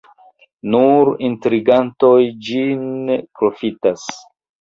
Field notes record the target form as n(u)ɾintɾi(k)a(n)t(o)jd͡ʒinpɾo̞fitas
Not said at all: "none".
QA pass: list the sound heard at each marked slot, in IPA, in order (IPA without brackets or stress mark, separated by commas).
u, ɡ, n, o